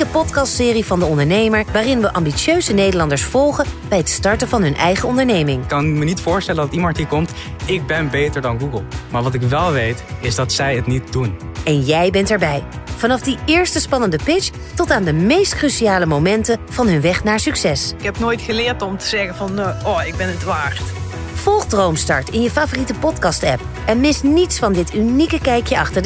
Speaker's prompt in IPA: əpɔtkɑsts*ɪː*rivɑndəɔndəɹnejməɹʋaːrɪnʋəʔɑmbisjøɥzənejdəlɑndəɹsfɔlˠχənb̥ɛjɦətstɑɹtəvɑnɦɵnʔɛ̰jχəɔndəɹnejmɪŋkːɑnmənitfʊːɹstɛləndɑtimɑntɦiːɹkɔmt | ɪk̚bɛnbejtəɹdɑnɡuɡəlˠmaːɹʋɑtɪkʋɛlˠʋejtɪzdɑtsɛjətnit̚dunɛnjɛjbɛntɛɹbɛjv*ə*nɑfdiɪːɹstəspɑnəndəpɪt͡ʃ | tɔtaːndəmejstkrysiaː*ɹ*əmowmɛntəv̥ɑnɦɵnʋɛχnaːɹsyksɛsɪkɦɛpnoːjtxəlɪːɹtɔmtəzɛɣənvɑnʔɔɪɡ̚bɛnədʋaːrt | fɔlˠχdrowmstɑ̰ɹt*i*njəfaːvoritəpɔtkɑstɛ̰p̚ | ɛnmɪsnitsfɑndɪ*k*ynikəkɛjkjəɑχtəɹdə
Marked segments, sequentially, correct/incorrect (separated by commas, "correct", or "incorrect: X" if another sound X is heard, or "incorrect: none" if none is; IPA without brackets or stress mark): correct, incorrect: ɑ, incorrect: l, incorrect: ɪ, incorrect: t